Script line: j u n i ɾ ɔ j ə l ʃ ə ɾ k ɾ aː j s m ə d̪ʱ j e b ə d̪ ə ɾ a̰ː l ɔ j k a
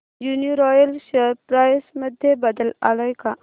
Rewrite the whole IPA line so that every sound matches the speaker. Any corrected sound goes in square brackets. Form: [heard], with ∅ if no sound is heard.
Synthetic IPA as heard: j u n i ɾ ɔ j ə l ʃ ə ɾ [p] ɾ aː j s m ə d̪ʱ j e b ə d̪ ə [l] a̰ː l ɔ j k a